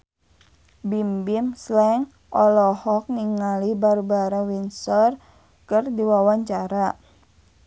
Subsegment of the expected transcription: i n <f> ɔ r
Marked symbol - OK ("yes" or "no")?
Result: no